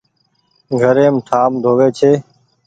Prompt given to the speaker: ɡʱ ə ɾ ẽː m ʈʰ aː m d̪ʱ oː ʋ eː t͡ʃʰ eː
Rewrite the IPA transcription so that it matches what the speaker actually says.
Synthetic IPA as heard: ɡʱ ə ɾ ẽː m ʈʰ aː m d̪ʱ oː ʋ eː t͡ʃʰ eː